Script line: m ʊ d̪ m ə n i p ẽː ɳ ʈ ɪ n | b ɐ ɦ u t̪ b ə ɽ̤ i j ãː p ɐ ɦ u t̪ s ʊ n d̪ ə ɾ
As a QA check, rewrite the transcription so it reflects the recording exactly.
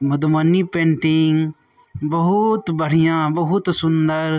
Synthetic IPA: m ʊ d̪ m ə n i p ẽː ɳ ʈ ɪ ŋ | b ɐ ɦ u t̪ b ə ɽ̤ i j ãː b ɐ ɦ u t̪ s ʊ n d̪ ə ɾ